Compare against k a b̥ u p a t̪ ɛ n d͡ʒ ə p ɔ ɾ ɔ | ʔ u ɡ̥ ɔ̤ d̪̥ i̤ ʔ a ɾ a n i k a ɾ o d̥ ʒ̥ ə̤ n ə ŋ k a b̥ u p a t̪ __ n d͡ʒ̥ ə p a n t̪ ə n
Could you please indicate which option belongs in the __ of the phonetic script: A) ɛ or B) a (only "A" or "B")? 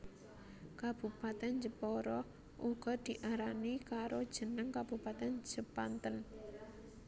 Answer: A